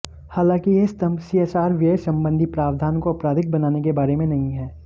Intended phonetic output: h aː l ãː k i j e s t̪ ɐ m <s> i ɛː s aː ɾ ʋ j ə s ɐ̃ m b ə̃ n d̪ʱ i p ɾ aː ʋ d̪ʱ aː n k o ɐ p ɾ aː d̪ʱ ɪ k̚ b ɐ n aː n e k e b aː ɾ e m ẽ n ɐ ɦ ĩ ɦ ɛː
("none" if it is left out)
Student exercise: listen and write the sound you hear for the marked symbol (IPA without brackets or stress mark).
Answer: s